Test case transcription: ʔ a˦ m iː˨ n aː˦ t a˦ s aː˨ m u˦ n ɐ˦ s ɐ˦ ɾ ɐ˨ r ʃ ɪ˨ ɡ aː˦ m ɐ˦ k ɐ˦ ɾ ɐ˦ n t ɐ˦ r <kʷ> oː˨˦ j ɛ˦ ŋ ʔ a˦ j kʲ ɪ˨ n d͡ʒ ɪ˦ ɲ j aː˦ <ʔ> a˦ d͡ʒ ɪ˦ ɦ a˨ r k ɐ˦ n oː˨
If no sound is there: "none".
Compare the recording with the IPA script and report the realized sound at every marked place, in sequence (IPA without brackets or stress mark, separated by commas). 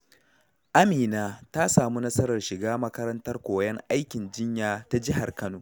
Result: kʷ, t